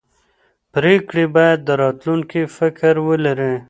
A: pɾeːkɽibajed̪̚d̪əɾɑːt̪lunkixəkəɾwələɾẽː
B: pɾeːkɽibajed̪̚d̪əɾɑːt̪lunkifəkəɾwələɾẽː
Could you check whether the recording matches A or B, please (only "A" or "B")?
B